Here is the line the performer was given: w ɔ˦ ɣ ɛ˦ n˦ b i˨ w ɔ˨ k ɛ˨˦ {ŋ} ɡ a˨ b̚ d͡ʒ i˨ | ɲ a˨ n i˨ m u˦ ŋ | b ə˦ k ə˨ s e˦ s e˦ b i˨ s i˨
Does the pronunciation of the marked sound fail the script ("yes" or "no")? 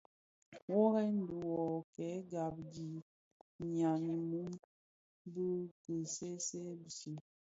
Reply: yes